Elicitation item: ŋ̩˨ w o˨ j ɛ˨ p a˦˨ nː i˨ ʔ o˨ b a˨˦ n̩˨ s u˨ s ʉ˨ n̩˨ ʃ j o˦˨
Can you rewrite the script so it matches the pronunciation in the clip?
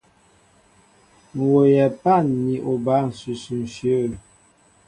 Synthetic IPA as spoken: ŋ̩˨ w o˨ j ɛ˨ p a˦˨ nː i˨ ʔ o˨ b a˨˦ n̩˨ s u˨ s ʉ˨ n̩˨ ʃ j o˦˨